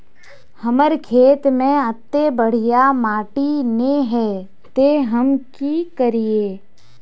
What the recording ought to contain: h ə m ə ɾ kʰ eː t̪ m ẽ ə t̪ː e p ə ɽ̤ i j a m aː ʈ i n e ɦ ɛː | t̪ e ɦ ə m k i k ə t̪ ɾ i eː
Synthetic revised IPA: h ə m ə ɾ kʰ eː t̪ m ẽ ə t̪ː e b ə ɽ̤ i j a m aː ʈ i n e ɦ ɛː | t̪ e ɦ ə m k i k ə ɾ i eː